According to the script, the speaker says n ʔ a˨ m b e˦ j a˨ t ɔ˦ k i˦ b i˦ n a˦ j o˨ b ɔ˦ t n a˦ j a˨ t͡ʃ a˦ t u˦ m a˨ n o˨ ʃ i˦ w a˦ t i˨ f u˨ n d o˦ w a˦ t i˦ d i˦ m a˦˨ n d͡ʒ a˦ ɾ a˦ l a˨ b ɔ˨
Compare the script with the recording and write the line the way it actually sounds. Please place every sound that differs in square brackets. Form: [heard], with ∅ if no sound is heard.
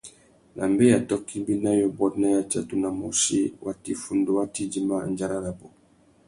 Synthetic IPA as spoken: n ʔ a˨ m b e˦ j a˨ t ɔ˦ k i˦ b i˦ n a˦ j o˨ b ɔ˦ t n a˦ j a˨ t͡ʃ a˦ t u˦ [n] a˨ [m] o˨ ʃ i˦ w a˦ t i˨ f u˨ n d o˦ w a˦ t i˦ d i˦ m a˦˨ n d͡ʒ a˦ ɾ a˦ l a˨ b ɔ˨